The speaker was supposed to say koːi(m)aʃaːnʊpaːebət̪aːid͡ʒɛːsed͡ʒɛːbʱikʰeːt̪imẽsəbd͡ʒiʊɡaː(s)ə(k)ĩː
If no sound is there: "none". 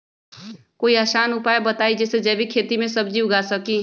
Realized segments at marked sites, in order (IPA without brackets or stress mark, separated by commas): none, s, k